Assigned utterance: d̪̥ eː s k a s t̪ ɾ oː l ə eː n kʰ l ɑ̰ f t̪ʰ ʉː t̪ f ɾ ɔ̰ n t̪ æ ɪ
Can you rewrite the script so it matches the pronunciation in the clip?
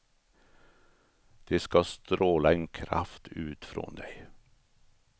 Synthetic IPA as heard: d̪̥ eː s k ɑ s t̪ ɾ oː l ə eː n kʰ ɾ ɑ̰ f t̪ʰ ʉː t̪ f ɾ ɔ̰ n d̪ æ ɪ